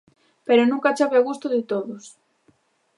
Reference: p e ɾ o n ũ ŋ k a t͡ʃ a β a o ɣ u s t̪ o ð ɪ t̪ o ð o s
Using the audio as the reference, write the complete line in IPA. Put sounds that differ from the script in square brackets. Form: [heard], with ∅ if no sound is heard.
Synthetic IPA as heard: p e ɾ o n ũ ŋ k a t͡ʃ a β [e] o ɣ u s t̪ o ð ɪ t̪ o ð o s